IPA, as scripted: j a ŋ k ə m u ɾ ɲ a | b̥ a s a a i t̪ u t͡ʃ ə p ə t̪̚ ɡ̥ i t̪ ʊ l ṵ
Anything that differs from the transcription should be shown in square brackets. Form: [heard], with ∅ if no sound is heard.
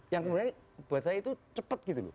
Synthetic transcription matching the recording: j a ŋ k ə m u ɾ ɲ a | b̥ a s a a i t̪ u t͡ʃ ə p ə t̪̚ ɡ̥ i t̪ [u] l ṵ